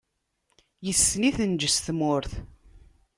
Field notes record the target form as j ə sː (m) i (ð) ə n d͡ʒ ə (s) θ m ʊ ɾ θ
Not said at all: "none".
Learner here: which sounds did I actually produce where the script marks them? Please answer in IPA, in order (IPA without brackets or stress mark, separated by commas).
n, θ, s